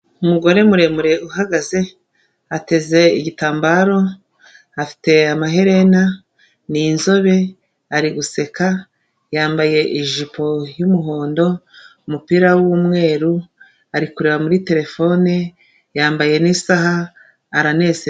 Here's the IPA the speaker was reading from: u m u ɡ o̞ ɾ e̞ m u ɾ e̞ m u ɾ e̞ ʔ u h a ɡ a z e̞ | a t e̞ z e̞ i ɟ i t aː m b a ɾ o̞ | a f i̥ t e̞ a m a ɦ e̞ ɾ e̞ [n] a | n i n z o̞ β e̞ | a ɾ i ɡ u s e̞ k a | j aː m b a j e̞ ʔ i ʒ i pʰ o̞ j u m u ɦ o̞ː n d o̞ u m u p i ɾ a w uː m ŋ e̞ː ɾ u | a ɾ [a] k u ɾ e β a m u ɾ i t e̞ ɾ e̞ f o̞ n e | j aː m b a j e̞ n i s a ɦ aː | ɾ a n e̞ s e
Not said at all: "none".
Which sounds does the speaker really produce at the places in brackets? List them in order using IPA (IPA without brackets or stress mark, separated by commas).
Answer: n, i